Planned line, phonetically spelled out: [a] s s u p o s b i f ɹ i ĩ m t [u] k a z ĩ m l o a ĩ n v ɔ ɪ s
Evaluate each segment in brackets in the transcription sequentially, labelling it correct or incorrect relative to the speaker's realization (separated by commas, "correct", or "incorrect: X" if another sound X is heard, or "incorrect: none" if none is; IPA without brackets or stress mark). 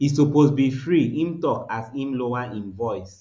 incorrect: i, incorrect: ɔ